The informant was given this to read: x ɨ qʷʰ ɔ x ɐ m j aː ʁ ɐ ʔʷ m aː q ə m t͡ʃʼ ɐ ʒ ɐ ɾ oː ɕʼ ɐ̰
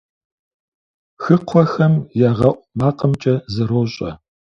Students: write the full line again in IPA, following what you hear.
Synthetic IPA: x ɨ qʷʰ ɔ x ɐ m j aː ʁ ɐ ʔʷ m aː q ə m t͡ʃʼ ɐ z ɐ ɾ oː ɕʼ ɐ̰

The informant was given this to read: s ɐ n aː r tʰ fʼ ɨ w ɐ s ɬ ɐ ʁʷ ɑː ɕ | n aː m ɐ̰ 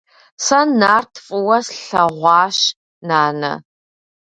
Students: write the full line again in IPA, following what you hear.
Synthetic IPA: s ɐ n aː r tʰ fʼ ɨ w ɐ s ɬ ɐ ʁʷ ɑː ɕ | n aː n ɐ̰

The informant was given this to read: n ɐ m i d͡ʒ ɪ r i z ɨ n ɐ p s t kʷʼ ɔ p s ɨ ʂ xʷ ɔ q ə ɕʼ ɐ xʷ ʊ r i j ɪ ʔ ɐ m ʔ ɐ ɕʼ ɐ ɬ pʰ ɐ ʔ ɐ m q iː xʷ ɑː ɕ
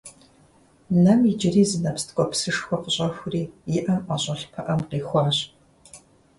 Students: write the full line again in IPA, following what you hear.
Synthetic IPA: n ɐ m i d͡ʒ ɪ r iː z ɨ n ɐ p s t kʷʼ ɔ p s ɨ ʂ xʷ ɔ q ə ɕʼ ɐ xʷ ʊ r iː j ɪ ʔ ɐ m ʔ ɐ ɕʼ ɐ ɬ pʰ ɐ ʔ ɐ m q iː xʷ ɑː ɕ

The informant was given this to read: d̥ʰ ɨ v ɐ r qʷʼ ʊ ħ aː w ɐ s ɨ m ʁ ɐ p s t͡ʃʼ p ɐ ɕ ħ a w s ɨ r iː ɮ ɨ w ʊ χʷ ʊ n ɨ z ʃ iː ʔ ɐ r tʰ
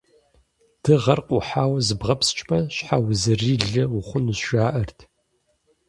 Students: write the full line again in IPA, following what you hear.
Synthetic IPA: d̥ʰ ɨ ʁ ɐ r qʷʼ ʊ ħ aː w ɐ z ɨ b ʁ ɐ p s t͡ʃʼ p ɐ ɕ ħ a w z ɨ r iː ɮ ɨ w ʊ χʷ ʊ n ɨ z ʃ aː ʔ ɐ r tʰ

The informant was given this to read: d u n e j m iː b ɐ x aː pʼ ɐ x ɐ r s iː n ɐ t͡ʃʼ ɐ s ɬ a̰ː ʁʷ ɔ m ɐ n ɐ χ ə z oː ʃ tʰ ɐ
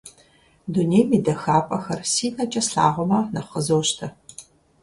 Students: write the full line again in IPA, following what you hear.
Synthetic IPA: d u n e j m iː d ɐ x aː pʼ ɐ x ɐ r s iː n ɐ t͡ʃʼ ɐ s ɬ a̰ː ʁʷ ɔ m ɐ n ɐ χ ə z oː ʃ tʰ ɐ

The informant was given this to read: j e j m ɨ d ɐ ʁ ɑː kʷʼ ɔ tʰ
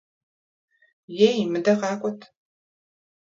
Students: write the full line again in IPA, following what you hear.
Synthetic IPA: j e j m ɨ d ɐ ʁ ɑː kʷʼ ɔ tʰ

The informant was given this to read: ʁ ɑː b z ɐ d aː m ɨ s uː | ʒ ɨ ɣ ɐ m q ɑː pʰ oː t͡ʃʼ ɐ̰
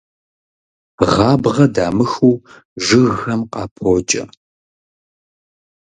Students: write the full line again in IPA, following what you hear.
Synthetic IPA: ʁ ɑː b ʁ ɐ d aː m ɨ x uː | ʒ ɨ ɣ ɐ m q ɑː pʰ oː t͡ʃʼ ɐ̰

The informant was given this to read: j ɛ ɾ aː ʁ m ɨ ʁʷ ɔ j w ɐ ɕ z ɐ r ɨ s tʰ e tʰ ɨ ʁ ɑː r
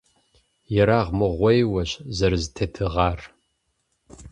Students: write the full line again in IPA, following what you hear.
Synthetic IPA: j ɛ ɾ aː ʁ m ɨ ʁʷ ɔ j w ɐ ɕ z ɐ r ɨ z tʰ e tʰ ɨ ʁ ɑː r

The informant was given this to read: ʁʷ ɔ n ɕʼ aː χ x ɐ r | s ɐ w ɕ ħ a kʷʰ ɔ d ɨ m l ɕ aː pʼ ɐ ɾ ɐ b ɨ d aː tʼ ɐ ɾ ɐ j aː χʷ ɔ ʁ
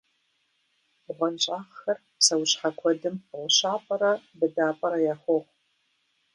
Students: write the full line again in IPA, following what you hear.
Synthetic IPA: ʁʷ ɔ n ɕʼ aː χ x ɐ r | s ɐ w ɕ ħ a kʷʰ ɔ d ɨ m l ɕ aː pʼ ɐ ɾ ɐ b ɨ d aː pʼ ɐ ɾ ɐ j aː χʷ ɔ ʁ

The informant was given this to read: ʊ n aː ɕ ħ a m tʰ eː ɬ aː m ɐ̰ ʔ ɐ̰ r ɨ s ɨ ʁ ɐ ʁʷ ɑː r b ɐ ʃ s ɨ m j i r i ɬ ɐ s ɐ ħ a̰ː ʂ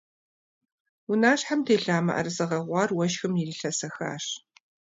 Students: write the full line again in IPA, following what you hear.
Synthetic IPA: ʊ n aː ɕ ħ a m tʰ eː ɬ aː m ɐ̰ ʔ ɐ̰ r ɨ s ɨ ʁ ɐ ʁʷ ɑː r w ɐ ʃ x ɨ m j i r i ɬ ɐ s ɐ x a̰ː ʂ

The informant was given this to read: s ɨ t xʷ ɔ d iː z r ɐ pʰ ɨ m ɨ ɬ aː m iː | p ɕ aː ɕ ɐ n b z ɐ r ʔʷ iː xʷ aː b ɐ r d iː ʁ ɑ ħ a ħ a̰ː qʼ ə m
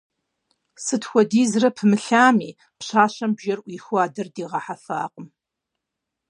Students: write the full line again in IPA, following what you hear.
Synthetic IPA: s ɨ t xʷ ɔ d iː z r ɐ pʰ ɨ m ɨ ɬ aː m iː | p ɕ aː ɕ ɐ m b ʒ ɐ r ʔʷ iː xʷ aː d ɐ r d iː ʁ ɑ ħ a f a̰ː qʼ ə m

